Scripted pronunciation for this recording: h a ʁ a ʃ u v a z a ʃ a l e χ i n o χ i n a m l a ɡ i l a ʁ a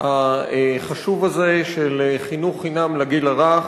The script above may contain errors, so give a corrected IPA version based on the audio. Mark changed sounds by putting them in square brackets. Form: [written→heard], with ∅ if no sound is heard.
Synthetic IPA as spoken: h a [ʁ→χ] a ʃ u v a z [a→e] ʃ [a→e] l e χ i n [o→u] χ i n a m l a ɡ i l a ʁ a